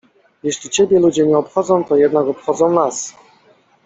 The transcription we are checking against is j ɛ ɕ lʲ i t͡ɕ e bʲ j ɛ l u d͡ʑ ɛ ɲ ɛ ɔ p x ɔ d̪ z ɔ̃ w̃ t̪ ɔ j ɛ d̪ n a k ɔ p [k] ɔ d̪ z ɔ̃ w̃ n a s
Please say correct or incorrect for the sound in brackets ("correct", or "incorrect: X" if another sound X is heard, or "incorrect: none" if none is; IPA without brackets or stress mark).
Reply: incorrect: x